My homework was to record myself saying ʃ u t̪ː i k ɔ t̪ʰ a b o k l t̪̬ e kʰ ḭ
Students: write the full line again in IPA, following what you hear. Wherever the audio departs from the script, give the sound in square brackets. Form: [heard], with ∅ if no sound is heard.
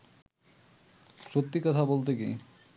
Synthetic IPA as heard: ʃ [o] t̪ː i k ɔ t̪ʰ a b o [∅] l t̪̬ e [k] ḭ